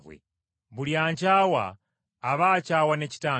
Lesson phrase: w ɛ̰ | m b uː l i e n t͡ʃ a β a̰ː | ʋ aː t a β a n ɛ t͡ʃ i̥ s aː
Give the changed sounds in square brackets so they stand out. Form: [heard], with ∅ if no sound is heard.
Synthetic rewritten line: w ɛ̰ | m b [u] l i [a] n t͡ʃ a [w] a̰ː | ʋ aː [t͡ʃ] a [w] a n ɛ t͡ʃ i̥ [t] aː